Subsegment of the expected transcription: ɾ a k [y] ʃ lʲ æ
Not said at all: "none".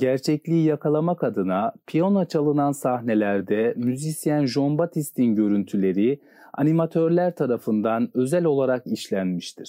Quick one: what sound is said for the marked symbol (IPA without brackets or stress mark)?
i